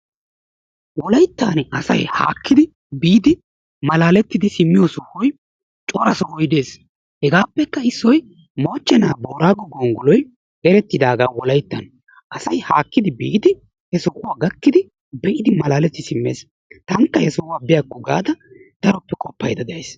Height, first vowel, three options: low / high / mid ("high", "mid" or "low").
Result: mid